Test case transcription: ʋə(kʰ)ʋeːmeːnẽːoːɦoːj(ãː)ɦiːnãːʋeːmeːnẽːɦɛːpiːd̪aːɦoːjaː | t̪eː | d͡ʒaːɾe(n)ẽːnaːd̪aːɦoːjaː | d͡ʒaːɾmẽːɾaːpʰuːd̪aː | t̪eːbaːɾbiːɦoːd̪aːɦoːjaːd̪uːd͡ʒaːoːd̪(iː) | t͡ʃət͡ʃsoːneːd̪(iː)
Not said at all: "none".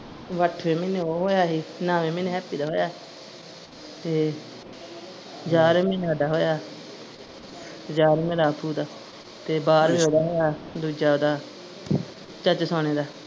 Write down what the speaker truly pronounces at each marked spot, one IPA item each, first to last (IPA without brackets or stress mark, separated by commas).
ʈʰ, aː, m, aː, aː